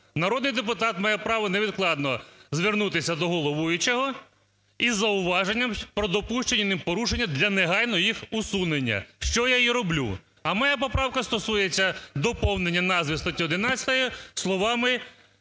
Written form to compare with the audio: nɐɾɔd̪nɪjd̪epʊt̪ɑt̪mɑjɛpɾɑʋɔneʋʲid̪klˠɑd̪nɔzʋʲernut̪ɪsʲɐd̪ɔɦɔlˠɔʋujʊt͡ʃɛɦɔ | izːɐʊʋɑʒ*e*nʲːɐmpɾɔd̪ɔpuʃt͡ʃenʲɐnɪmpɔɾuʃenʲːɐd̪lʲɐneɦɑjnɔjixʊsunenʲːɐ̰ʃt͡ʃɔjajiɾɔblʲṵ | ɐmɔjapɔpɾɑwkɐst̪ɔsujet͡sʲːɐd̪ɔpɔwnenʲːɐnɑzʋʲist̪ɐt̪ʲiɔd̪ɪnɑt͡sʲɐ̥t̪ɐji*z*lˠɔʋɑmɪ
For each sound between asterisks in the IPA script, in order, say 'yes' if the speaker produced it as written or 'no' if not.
yes, no

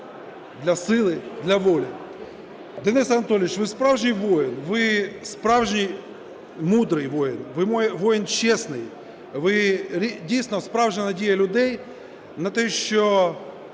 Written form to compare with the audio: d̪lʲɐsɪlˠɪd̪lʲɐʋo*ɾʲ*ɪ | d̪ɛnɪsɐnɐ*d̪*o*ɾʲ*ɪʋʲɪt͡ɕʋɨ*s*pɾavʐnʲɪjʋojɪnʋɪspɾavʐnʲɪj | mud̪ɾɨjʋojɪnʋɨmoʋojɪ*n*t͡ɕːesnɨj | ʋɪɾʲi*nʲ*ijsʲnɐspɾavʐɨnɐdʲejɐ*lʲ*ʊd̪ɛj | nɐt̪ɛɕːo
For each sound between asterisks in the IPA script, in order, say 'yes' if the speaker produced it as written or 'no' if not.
no, no, no, yes, yes, no, yes

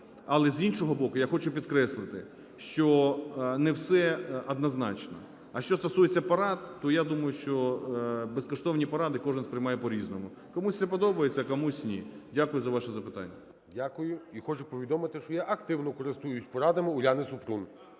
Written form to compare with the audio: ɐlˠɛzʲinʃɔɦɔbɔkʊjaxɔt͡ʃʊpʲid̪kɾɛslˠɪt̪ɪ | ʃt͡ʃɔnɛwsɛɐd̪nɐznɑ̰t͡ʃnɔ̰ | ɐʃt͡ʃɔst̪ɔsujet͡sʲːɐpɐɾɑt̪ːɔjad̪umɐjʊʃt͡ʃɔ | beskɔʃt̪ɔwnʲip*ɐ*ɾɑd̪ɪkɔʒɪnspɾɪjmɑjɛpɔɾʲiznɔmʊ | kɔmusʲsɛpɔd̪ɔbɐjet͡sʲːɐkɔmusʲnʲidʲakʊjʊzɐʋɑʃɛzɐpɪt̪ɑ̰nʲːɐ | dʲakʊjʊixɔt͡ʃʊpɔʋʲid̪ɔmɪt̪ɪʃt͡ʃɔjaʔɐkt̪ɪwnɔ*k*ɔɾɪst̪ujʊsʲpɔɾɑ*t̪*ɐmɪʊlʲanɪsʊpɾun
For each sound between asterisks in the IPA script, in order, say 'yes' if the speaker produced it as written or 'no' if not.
yes, yes, no

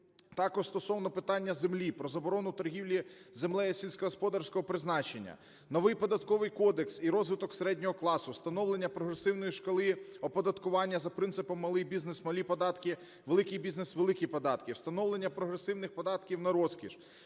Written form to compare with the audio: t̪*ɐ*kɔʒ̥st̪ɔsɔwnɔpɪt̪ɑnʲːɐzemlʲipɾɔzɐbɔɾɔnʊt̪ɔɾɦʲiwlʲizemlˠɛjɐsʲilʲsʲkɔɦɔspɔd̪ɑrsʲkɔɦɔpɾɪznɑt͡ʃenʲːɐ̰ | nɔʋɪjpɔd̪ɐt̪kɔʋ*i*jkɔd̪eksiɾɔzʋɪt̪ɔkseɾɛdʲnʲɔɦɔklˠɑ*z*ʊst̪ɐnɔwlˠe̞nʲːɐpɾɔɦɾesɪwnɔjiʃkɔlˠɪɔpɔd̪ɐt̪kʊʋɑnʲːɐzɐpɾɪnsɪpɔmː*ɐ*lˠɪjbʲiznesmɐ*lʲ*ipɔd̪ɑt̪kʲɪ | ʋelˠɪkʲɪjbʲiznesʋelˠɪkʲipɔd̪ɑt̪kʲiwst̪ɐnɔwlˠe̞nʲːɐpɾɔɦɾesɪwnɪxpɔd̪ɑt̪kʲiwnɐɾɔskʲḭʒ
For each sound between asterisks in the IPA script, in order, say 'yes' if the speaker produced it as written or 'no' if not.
no, no, no, yes, yes

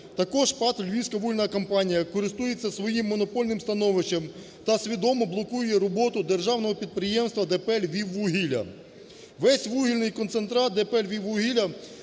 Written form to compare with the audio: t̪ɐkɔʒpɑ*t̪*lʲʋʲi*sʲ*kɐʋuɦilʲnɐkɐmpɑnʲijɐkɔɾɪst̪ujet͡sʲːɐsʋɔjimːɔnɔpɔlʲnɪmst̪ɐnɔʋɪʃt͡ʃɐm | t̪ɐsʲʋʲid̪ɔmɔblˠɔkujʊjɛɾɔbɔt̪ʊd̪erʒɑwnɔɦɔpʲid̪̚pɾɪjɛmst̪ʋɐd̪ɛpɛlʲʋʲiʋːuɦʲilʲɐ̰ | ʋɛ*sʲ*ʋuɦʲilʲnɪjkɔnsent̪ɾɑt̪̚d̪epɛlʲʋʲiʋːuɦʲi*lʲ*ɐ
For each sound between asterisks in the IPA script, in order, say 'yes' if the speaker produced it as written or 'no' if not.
yes, yes, yes, yes

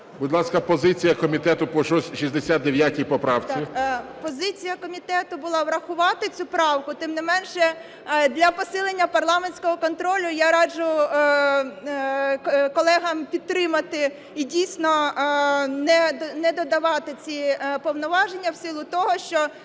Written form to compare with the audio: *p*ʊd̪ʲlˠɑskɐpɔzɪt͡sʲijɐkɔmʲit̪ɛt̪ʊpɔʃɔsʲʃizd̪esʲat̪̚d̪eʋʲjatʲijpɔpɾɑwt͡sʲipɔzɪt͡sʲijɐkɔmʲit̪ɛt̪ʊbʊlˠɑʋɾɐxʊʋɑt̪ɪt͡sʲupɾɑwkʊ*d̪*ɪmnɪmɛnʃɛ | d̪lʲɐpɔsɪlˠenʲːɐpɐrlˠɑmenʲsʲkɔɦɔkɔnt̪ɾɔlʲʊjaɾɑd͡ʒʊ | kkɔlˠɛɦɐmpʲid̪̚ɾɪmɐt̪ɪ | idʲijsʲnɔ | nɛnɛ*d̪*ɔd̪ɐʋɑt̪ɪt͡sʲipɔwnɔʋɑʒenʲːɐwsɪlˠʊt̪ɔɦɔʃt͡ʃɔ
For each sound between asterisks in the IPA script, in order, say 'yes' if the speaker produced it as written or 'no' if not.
no, no, yes

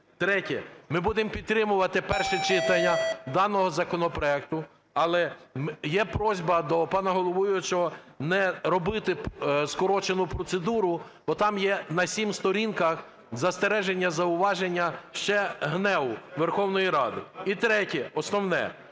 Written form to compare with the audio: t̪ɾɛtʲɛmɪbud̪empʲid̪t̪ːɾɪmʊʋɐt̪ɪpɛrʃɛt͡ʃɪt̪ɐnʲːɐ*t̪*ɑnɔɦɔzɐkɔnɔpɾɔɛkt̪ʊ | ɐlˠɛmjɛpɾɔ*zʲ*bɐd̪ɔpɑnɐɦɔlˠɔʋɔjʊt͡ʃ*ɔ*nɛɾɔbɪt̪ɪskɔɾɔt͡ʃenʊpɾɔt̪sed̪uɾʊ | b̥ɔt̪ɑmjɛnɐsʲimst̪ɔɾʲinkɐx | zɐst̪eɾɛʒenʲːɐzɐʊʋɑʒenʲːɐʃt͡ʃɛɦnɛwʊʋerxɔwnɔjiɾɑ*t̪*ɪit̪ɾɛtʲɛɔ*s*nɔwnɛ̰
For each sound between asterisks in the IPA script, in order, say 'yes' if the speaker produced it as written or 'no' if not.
no, yes, yes, no, yes

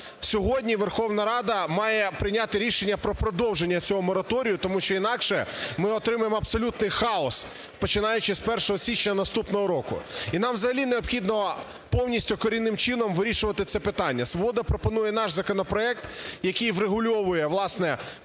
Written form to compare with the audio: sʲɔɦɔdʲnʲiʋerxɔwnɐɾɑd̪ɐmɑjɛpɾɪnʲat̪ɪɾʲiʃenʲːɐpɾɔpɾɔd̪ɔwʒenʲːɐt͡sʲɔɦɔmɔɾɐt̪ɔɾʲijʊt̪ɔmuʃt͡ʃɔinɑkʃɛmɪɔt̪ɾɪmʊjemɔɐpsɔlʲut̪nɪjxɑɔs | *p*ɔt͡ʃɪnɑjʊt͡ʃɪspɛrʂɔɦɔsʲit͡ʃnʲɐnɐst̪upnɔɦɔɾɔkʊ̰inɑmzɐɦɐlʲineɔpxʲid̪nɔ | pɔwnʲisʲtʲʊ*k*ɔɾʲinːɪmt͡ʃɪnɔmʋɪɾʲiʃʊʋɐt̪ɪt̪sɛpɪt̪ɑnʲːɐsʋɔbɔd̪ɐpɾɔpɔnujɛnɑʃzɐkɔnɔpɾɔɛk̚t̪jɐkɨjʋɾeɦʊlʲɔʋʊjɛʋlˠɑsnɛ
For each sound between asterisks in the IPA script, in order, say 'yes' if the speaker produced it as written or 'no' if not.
yes, yes

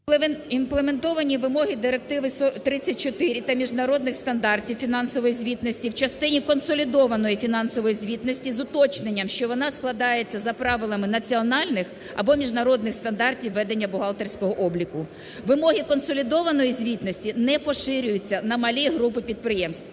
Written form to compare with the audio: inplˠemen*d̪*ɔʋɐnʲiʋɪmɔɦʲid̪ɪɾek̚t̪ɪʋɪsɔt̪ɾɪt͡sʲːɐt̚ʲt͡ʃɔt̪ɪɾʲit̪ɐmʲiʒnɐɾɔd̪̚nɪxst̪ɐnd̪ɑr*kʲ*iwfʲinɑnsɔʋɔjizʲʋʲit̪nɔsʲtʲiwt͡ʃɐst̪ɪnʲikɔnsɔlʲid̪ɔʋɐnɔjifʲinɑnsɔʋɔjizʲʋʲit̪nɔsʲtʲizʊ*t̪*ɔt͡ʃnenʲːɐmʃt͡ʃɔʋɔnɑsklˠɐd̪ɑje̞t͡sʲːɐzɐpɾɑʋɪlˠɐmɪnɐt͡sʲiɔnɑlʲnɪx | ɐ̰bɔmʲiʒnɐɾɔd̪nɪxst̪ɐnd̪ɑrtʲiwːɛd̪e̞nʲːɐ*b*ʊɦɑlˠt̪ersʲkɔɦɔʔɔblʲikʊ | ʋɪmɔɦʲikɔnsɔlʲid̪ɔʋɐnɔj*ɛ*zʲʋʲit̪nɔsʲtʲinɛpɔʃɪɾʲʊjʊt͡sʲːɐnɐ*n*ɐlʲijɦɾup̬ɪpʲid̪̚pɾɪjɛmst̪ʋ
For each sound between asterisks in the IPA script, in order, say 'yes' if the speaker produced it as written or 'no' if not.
no, no, yes, yes, no, no

